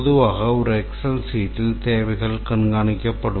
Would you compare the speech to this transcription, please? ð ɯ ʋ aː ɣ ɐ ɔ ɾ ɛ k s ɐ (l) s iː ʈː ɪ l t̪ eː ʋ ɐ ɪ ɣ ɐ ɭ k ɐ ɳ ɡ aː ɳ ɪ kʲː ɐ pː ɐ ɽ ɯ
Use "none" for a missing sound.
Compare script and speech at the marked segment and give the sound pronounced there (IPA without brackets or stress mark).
l